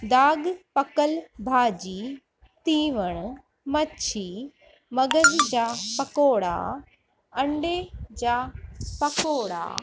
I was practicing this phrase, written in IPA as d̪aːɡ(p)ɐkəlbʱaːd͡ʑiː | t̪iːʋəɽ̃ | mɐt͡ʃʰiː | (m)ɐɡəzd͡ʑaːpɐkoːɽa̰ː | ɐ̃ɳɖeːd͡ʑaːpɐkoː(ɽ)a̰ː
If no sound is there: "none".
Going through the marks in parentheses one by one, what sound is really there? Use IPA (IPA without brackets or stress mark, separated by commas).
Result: p, m, ɽ